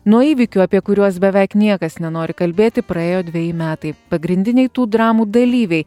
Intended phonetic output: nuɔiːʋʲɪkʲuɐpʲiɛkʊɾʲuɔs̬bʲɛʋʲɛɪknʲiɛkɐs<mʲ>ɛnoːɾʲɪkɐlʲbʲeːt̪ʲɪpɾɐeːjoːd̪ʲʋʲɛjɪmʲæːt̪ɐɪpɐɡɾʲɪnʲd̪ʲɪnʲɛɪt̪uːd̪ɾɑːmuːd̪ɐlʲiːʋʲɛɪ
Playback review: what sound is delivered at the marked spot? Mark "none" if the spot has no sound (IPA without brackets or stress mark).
nʲ